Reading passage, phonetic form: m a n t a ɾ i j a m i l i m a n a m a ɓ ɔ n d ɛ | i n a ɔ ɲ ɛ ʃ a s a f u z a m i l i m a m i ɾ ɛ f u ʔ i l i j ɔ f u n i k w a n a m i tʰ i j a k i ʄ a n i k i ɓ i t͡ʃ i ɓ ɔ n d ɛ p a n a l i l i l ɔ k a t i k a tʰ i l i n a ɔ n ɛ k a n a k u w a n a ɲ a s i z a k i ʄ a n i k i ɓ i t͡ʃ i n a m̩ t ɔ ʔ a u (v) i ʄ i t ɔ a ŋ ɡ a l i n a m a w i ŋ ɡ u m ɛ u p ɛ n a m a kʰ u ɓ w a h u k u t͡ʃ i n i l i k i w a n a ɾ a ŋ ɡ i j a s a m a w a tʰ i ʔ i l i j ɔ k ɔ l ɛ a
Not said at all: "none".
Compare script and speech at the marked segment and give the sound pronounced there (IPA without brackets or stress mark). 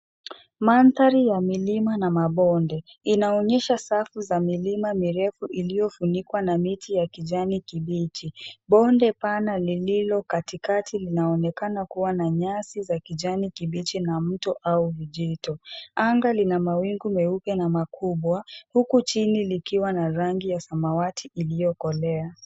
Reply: v